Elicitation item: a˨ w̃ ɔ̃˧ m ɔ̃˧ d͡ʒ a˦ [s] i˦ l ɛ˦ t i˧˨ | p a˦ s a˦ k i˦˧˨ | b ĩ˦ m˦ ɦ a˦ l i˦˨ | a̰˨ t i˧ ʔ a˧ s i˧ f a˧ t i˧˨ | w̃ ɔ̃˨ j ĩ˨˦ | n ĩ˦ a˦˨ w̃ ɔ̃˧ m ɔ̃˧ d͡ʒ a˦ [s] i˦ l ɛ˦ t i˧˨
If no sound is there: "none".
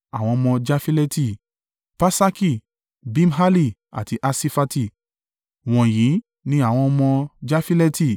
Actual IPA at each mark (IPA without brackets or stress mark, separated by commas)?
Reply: f, f